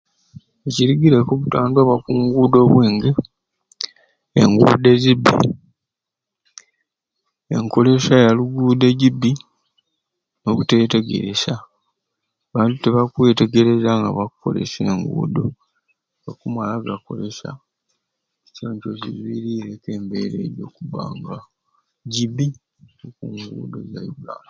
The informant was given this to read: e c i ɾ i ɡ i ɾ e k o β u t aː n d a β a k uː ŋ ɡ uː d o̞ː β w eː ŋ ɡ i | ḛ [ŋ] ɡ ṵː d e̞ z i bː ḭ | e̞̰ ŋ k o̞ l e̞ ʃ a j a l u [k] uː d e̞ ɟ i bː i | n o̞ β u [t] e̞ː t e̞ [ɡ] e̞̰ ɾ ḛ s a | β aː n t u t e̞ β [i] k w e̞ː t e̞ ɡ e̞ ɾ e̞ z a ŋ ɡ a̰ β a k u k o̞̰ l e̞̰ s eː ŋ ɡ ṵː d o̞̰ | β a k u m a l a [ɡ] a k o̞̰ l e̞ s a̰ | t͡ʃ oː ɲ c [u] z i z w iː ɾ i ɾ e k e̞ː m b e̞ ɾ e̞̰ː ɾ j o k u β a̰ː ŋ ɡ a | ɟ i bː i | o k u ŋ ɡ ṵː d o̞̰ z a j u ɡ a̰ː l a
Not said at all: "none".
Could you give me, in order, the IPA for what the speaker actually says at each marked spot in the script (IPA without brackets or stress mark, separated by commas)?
ŋ, ɡ, t, ɡ, a, ɡ, o